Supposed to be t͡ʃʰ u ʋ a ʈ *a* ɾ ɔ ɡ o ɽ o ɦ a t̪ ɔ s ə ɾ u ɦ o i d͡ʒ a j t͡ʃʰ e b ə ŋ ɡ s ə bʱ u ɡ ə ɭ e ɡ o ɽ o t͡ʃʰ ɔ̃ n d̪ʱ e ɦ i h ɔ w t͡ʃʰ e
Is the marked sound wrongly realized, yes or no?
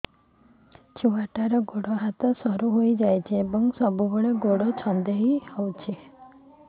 no